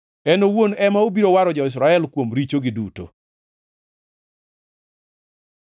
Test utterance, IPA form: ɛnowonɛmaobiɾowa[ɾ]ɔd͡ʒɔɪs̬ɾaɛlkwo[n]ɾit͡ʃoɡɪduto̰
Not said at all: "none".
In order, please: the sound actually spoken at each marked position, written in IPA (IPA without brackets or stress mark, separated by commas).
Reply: ɾ, m